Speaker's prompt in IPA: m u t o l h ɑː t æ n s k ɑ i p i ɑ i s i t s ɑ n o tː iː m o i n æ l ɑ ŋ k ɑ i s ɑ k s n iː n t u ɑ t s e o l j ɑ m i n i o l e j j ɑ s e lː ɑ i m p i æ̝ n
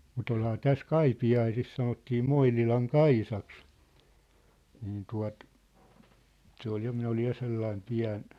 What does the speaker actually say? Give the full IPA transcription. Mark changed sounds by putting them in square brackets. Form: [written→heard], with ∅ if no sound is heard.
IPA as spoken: m u t o l h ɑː t æ [n→∅] s k ɑ i p i ɑ i s i [t→s] s ɑ n o tː iː m o i n [æ→i] l ɑ ŋ k ɑ i s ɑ k s n iː n t u ɑ t s e o l j ɑ m i n [i→æ] o l [e→i] j j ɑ s e lː ɑ i m p i æ̝ n